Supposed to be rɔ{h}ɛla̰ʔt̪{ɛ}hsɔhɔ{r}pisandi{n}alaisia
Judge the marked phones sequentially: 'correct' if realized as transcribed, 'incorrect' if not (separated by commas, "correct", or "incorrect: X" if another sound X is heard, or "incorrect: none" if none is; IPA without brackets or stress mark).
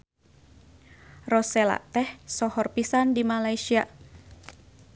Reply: incorrect: s, correct, correct, incorrect: m